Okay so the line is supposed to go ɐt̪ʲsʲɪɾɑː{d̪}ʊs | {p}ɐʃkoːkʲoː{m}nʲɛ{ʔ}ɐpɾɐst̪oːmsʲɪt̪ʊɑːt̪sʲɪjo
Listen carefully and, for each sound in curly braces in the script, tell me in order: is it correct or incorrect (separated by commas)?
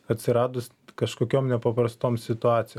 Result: correct, incorrect, correct, incorrect